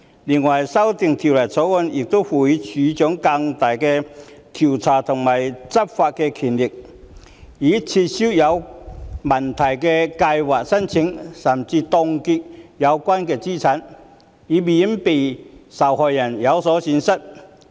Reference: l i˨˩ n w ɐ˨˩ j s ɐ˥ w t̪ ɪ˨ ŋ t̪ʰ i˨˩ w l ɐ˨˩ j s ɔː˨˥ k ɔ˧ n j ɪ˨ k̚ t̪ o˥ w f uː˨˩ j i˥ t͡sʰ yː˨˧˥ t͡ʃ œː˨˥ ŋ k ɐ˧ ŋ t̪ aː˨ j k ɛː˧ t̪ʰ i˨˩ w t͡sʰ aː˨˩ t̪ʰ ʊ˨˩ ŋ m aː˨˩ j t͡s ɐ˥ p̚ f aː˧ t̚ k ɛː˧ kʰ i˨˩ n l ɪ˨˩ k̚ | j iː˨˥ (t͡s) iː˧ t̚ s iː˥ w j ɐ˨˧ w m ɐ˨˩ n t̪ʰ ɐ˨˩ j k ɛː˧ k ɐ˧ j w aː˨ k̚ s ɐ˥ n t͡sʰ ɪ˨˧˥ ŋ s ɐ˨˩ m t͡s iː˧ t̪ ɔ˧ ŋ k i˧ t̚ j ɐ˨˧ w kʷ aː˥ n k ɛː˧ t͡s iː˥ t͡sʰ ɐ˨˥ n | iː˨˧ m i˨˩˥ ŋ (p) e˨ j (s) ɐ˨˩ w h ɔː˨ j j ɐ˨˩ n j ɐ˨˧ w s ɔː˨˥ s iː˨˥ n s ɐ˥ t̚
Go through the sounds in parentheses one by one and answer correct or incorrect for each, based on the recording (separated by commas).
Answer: incorrect, correct, correct